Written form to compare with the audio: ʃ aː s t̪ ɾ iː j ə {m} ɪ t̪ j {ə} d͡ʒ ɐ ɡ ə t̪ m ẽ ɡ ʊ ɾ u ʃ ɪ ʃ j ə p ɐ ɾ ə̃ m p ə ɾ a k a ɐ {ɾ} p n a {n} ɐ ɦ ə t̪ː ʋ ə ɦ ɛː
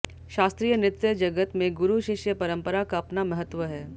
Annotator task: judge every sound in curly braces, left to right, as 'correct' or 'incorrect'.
incorrect: n, correct, incorrect: none, incorrect: m

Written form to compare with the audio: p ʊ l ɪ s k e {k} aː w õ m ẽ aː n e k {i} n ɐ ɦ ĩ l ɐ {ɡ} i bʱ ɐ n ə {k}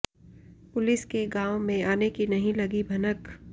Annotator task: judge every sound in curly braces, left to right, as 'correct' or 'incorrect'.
incorrect: ɡ, correct, correct, correct

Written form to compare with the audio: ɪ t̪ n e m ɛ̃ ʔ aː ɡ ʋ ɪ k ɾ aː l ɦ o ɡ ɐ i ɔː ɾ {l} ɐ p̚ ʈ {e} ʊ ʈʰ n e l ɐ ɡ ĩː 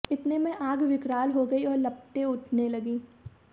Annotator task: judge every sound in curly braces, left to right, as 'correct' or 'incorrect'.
correct, correct

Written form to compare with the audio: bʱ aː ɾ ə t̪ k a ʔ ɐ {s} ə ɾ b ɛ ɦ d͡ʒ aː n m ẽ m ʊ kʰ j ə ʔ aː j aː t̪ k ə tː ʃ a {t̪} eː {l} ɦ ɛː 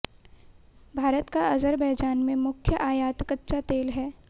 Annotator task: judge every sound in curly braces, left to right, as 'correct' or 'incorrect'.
incorrect: z, correct, correct

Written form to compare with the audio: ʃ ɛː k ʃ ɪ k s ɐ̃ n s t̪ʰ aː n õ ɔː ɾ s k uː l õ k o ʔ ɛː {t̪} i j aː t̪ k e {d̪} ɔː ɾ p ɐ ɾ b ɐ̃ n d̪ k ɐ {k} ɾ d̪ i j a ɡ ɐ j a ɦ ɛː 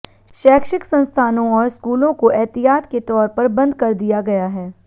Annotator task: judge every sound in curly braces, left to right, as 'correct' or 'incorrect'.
correct, incorrect: t̪, incorrect: none

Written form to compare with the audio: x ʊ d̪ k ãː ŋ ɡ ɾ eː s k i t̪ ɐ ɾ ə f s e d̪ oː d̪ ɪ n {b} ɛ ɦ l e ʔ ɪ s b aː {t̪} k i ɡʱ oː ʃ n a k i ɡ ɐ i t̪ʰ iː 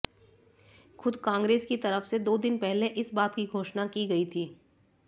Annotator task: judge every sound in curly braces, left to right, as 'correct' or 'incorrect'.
incorrect: p, correct

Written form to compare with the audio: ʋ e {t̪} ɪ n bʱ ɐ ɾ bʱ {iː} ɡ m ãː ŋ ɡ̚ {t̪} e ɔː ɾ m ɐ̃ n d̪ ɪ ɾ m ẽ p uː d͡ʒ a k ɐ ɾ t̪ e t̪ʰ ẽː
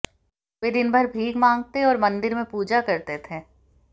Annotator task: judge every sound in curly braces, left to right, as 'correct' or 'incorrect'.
incorrect: d̪, correct, correct

